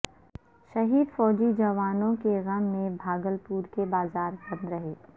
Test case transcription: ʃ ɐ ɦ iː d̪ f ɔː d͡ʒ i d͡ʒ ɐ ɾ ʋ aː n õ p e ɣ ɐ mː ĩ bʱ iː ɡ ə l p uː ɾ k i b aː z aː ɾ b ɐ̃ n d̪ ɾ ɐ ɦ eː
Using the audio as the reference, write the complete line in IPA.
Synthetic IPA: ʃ ɐ ɦ iː d̪ f ɔː d͡ʒ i d͡ʒ ɐ ʋ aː n õ k e ɣ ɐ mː ẽ bʱ aː ɡ ə l p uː ɾ k e b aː z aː ɾ b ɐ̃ n d̪ ɾ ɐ ɦ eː